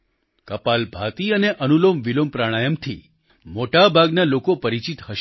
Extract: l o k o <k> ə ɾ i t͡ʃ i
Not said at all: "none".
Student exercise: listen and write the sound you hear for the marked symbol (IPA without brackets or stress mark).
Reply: p